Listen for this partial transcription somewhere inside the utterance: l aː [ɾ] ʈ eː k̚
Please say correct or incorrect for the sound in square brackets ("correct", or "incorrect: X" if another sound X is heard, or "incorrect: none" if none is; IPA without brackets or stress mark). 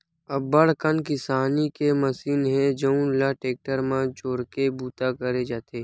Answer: incorrect: none